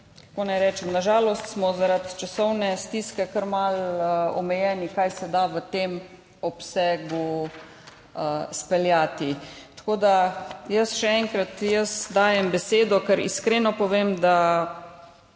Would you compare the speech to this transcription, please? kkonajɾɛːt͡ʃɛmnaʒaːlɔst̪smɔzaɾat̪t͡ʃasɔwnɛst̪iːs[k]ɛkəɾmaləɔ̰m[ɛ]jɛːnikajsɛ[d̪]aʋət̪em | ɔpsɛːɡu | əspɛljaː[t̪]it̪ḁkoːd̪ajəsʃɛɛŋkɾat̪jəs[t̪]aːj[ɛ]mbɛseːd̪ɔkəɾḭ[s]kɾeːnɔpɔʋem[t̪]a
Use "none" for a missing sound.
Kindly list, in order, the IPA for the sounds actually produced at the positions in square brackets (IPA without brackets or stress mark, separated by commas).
k, ɛ, d̪, t̪, d̪, ɛ, s, d̪